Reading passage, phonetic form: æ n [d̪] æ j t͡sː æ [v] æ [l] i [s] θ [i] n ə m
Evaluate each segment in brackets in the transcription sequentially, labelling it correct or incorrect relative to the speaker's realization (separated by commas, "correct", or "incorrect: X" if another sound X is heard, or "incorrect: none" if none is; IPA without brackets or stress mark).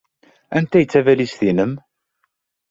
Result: incorrect: t̪, correct, correct, correct, correct